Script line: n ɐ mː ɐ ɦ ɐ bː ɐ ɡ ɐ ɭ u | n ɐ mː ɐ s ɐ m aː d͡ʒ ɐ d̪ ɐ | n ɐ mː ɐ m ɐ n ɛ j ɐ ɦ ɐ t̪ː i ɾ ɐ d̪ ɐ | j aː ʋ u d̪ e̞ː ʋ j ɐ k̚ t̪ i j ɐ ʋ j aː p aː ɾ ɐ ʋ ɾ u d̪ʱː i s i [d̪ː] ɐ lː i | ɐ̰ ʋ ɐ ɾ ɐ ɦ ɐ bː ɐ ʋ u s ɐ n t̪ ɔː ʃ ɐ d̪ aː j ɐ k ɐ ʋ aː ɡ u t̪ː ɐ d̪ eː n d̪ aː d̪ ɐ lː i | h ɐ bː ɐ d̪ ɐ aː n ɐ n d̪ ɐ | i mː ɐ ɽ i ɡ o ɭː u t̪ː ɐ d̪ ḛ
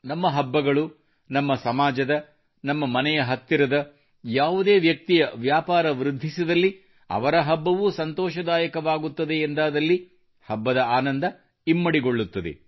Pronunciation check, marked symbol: incorrect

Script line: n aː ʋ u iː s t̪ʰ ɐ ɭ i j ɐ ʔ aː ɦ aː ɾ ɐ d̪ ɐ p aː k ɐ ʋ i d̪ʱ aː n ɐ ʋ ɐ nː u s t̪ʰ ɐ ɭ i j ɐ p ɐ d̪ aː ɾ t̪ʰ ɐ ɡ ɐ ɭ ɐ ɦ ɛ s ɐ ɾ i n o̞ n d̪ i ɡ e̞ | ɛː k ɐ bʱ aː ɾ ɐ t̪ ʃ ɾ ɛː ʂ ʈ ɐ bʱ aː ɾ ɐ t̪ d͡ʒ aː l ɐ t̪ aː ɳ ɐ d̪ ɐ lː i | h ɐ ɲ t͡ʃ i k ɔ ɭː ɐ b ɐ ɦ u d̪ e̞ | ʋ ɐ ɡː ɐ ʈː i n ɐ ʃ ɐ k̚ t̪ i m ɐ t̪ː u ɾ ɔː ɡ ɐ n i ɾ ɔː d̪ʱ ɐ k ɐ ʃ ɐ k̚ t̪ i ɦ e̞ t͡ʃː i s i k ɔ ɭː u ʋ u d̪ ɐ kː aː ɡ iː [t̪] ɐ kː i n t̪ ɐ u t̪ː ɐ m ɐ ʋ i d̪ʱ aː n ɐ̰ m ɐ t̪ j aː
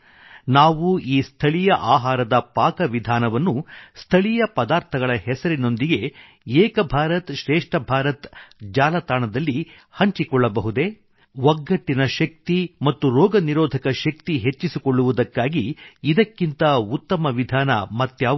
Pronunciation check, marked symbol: incorrect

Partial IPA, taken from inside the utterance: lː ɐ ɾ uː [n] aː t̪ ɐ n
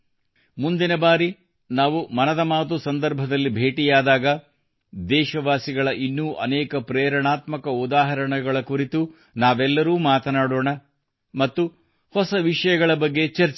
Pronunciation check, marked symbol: incorrect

